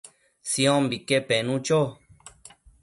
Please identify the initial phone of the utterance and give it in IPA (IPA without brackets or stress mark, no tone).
s